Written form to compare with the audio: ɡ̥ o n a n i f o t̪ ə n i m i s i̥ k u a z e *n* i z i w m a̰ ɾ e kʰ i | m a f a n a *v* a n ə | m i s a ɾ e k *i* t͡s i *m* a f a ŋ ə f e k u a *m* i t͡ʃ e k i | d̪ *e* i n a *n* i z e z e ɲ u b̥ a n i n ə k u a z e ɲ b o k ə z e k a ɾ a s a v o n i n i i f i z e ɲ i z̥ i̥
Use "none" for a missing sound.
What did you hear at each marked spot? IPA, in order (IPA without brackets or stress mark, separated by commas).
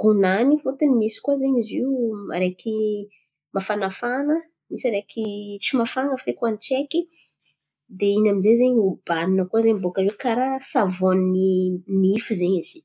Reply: ɲ, f, i, m, n, e, m